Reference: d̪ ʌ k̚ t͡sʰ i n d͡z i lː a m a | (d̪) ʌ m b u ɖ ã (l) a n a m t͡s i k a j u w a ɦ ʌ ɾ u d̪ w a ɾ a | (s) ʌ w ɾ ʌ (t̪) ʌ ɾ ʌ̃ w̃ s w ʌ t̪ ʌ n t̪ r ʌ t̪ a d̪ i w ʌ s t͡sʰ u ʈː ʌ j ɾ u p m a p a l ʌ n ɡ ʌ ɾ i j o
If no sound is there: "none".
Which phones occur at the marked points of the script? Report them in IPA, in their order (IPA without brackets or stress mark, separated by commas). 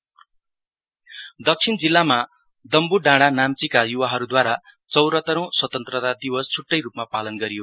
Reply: d̪, ɽ, t͡s, t̪